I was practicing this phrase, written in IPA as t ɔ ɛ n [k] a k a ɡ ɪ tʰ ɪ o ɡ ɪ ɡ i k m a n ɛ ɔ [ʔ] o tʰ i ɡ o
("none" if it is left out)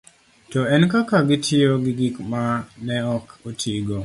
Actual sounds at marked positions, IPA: k, k

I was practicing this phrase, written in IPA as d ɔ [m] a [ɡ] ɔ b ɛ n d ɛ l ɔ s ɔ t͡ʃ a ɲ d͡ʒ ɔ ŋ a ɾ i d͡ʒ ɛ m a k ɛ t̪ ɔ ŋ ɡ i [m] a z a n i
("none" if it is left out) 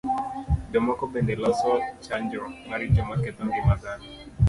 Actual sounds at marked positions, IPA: m, k, m

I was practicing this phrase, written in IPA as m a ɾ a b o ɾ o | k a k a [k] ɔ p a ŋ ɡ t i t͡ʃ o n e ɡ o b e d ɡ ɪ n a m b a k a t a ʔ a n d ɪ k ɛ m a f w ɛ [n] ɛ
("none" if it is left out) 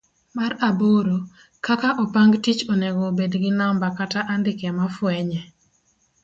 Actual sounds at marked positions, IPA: ʔ, ɲ

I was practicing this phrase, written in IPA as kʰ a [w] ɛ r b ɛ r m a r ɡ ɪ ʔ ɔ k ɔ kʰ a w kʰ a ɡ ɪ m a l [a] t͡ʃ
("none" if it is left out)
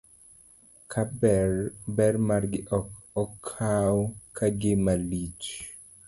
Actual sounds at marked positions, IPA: b, i

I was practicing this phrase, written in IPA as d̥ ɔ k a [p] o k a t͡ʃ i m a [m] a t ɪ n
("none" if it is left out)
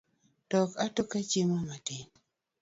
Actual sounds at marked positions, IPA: t, m

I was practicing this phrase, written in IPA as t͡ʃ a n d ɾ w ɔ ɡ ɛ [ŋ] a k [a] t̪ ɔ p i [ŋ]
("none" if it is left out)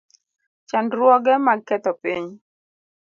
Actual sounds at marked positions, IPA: m, ɛ, ɲ

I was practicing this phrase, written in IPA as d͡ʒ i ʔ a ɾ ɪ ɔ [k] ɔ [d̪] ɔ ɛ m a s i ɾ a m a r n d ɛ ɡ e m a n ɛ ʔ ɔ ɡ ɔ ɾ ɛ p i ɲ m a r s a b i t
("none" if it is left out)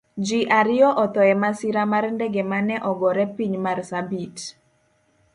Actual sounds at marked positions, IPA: ʔ, t̪

